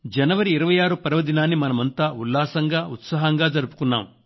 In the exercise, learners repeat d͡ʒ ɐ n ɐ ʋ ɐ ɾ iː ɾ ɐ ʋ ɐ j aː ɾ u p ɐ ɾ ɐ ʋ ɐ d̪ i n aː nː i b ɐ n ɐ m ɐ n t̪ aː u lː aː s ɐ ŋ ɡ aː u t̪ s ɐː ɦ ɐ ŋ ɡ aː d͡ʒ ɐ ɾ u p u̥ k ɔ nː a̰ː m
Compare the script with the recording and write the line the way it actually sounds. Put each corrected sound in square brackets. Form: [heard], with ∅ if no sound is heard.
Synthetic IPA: d͡ʒ ɐ n ɐ ʋ ɐ ɾ iː ɾ ɐ ʋ ɐ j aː ɾ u p ɐ ɾ ɐ ʋ ɐ d̪ i n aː nː i [m] ɐ n ɐ m ɐ n t̪ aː u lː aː s ɐ ŋ ɡ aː u t̪ s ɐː ɦ ɐ ŋ ɡ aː d͡ʒ ɐ ɾ u p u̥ k [u] nː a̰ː m